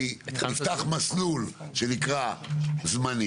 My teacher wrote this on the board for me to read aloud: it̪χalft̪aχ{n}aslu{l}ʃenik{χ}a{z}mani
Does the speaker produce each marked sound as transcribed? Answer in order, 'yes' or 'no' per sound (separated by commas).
no, yes, no, yes